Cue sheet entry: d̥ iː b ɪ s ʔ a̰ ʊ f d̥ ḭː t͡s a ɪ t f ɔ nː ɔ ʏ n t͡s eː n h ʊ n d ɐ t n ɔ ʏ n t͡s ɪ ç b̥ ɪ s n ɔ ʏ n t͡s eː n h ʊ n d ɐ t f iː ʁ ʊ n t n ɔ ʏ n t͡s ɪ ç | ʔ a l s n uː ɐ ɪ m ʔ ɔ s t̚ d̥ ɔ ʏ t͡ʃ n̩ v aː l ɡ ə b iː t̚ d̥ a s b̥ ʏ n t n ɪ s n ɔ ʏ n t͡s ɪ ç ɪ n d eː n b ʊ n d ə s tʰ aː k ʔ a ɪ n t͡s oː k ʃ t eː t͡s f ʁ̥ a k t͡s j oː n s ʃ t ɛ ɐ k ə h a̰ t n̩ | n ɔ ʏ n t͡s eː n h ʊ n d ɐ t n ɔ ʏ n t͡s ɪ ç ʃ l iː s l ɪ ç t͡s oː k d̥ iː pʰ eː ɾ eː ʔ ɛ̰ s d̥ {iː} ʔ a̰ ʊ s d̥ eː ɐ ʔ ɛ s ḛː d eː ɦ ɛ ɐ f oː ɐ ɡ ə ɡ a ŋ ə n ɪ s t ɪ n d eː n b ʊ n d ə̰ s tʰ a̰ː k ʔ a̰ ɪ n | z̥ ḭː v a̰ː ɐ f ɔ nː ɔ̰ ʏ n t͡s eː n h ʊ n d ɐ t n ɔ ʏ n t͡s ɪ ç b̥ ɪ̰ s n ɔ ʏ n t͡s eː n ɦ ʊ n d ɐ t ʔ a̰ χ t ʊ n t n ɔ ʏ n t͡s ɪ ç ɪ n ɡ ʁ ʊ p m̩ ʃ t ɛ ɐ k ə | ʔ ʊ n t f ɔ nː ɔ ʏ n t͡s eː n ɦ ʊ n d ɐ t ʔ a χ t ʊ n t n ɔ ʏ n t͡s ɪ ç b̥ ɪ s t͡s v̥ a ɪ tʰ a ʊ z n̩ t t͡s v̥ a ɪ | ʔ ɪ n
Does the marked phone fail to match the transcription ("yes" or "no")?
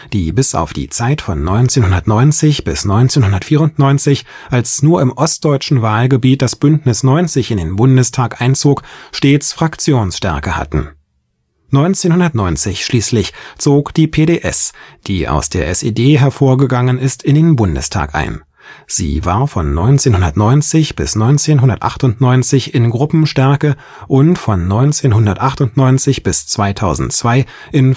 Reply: no